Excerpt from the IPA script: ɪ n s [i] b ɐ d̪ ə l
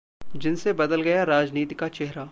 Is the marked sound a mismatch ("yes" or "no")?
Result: yes